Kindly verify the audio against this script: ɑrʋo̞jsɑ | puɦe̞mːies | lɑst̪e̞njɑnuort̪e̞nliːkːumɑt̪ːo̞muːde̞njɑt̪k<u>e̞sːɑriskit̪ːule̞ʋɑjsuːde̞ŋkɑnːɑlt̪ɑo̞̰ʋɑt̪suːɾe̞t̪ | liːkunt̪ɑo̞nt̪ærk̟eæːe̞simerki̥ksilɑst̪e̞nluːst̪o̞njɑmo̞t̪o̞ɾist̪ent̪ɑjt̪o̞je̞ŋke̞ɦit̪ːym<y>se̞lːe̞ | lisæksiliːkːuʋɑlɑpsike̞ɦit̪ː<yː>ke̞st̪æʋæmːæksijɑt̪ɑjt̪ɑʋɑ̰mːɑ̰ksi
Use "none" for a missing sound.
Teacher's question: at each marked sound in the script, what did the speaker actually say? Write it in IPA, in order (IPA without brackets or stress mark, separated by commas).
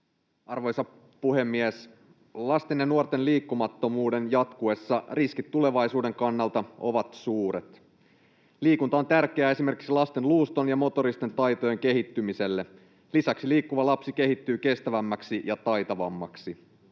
u, i, yː